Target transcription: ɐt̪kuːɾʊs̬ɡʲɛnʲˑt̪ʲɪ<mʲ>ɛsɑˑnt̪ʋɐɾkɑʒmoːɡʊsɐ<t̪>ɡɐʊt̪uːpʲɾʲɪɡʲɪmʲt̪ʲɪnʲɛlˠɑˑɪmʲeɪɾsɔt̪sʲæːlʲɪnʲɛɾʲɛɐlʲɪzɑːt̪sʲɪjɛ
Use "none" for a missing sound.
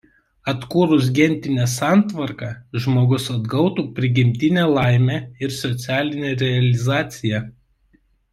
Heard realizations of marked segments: nʲ, d̪

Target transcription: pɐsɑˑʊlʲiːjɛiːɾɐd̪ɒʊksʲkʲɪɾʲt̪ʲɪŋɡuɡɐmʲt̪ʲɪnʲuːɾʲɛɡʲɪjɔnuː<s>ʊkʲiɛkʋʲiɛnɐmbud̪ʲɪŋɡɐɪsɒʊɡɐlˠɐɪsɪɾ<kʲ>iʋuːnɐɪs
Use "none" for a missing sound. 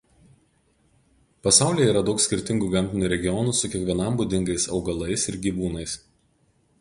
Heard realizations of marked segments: s, ɡʲ

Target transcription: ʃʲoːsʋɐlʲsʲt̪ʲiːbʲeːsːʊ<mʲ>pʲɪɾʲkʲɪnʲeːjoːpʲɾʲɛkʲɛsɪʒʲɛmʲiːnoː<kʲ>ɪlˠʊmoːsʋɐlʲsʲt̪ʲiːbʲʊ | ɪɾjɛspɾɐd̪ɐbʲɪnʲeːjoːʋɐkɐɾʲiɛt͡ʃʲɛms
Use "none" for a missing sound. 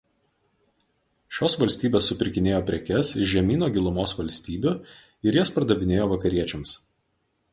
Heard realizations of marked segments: none, ɡʲ

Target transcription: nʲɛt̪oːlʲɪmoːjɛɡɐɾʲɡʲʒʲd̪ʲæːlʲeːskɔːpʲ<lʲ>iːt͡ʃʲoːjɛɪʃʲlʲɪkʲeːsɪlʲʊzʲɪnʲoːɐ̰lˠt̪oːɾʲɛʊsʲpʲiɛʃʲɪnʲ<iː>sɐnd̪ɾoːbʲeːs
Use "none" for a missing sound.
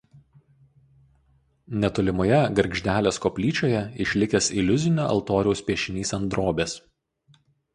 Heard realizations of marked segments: lʲ, iː

